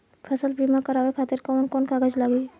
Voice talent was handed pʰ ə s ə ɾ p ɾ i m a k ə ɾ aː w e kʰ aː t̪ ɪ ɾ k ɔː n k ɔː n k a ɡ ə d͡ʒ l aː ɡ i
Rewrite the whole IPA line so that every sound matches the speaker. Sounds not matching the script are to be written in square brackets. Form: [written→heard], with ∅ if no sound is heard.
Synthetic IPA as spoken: pʰ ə s ə [ɾ→l] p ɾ i m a k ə ɾ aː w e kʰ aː t̪ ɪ ɾ k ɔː n k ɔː n k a ɡ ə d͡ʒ l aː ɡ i